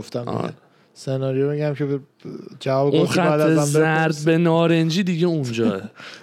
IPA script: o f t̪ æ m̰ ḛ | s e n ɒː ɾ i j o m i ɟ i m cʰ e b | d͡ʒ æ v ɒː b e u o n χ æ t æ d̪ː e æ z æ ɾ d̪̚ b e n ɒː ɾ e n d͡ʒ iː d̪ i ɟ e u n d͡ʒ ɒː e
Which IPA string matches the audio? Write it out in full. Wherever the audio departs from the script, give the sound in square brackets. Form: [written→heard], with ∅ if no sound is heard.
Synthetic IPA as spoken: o f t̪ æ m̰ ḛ | s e n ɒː ɾ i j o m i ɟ [i→æ] m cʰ e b | d͡ʒ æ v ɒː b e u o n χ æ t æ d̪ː e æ z æ ɾ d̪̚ b e n ɒː ɾ e n d͡ʒ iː d̪ i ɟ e u n d͡ʒ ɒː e